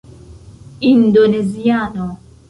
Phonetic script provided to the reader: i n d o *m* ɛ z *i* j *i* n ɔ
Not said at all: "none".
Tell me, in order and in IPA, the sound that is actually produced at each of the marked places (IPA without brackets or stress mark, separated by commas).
n, i, a